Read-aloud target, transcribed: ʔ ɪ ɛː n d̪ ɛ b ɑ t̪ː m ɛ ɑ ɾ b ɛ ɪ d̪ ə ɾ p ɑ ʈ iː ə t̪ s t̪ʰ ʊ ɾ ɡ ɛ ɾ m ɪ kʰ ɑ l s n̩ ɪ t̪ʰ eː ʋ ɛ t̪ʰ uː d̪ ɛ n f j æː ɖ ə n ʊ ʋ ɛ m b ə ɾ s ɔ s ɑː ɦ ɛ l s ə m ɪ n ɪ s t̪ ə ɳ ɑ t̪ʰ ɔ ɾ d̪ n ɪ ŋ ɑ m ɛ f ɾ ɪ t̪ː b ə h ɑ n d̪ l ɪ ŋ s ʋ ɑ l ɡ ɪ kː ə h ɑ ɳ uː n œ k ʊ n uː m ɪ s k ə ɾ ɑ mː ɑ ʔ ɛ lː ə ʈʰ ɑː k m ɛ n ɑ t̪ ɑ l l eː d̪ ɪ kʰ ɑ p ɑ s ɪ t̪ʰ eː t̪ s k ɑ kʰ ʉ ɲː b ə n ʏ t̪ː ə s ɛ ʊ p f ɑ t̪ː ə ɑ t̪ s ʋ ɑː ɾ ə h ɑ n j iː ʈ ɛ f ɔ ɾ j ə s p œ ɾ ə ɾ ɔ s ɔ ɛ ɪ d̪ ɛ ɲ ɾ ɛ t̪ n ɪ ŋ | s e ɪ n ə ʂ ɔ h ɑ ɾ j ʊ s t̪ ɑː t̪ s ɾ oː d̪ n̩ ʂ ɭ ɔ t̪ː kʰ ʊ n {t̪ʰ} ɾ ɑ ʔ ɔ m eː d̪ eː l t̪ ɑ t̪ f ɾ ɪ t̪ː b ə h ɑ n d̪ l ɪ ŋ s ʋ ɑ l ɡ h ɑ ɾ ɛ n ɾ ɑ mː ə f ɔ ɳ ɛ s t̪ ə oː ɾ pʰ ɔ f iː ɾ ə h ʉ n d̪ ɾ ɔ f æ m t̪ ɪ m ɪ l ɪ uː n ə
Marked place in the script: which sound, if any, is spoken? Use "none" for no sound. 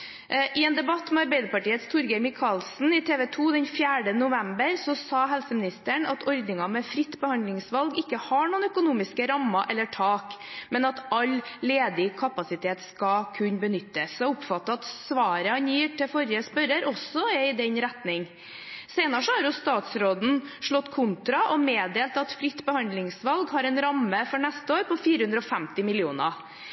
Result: t̪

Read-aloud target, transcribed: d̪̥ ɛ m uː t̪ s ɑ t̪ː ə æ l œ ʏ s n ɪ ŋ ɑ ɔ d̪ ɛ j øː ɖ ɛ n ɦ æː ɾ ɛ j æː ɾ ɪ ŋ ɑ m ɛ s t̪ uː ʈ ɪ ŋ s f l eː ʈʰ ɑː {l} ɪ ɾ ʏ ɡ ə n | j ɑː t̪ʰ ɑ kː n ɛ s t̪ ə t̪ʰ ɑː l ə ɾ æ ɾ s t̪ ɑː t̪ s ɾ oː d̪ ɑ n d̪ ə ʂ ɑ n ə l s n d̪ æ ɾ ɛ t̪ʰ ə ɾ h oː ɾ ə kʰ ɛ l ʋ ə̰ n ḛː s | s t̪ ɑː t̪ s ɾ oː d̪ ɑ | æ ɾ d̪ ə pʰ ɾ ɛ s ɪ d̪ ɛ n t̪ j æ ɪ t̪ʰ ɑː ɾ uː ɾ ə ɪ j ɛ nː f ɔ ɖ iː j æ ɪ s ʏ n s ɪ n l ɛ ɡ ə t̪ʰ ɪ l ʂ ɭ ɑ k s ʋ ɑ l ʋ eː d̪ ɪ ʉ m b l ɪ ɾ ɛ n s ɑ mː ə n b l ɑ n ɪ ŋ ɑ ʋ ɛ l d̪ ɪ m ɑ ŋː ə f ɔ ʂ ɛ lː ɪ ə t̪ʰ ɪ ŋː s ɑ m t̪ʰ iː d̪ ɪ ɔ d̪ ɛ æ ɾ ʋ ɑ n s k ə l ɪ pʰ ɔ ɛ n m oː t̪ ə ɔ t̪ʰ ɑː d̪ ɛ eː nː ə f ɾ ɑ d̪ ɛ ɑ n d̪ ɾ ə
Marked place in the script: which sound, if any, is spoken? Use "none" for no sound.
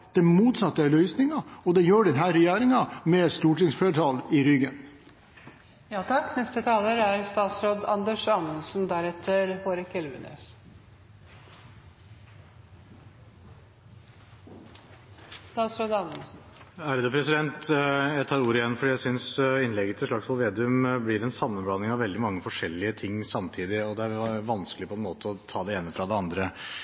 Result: l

